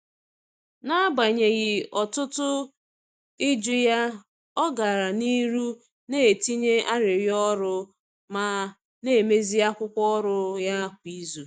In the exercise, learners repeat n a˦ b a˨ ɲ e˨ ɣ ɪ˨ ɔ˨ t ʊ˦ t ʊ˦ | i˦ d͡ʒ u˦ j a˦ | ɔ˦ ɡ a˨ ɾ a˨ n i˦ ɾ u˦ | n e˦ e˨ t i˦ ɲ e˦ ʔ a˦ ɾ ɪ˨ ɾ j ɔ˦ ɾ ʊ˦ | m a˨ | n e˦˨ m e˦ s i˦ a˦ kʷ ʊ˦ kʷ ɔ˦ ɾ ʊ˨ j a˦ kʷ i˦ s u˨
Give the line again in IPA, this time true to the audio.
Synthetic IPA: n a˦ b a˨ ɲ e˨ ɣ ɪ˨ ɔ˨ t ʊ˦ t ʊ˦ | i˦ d͡ʒ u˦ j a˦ | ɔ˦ ɡ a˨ ɾ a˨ n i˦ ɾ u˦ | n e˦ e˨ t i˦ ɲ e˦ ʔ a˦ ɾ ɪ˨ ɾ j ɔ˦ ɾ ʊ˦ | m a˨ | n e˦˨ m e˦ z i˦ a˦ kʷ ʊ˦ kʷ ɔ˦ ɾ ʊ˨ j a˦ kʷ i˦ z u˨